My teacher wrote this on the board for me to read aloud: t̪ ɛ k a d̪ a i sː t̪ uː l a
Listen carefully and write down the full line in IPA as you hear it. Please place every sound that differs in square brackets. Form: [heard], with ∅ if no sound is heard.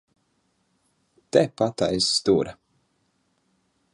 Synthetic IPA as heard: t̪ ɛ [p] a [t̪] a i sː t̪ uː [ɾ] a